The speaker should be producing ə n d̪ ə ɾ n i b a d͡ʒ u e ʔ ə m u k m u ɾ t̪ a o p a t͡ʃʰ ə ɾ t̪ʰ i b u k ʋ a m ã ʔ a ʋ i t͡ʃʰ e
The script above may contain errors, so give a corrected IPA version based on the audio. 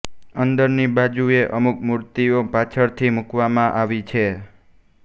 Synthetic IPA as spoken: ə n d̪ ə ɾ n i b a d͡ʒ u e ʔ ə m u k m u ɾ t̪ i o p a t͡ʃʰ ə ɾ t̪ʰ i m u k ʋ a m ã ʔ a ʋ i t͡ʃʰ e